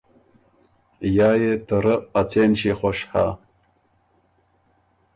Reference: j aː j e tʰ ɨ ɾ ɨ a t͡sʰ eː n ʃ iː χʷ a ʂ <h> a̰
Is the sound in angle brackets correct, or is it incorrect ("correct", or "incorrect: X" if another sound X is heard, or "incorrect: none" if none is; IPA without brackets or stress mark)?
incorrect: ħ